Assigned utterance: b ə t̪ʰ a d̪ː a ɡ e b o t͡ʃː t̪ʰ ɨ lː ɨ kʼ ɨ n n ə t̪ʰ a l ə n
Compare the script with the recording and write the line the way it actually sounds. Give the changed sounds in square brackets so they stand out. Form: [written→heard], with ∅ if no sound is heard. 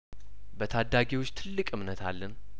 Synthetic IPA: b ə t̪ʰ a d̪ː a ɡ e [b→w] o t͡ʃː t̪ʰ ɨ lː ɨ kʼ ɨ [n→m] n ə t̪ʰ a [l→lː] ə n